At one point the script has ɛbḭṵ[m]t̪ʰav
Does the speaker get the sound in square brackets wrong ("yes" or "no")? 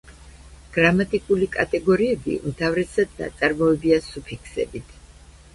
no